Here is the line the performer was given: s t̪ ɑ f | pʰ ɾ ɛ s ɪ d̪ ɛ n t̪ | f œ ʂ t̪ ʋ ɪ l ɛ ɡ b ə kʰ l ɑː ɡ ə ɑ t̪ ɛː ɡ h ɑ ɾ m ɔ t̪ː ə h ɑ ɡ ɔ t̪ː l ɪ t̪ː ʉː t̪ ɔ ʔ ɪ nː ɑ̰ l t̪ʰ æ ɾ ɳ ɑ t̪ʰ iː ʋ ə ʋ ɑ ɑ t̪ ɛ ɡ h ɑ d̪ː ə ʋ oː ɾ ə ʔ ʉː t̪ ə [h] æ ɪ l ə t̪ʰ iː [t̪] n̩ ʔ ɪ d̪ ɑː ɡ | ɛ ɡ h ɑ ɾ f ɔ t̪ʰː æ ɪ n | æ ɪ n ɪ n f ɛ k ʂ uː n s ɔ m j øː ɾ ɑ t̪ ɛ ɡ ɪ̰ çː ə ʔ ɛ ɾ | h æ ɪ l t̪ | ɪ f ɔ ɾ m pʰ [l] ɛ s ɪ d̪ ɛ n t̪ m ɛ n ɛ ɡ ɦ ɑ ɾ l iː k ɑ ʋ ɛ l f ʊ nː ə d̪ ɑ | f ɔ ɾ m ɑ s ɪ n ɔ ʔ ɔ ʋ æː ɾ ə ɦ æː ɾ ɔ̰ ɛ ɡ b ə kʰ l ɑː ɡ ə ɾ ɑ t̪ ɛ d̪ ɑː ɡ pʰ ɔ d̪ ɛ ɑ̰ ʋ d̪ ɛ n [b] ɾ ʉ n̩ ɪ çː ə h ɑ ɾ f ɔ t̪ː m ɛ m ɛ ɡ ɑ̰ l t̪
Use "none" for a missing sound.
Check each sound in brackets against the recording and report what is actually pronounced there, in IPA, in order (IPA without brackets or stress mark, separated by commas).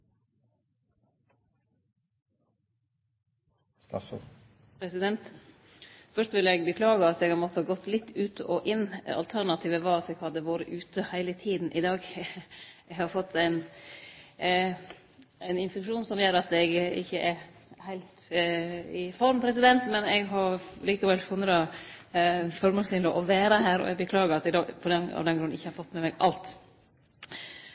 h, d̪, ɾ, ɡ